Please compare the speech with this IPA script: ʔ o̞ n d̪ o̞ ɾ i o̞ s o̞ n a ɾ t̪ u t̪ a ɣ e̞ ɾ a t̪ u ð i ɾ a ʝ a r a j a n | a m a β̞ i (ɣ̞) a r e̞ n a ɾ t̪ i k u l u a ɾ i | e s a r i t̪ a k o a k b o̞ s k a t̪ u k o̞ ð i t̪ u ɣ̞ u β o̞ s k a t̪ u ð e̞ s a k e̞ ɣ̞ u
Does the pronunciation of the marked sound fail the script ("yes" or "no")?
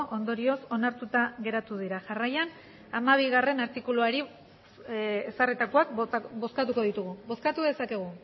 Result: no